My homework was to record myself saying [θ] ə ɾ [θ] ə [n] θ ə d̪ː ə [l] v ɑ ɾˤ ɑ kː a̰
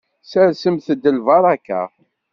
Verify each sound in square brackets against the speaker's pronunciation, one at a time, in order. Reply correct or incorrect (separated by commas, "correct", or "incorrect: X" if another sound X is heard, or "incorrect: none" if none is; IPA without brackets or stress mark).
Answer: incorrect: s, incorrect: s, incorrect: m, correct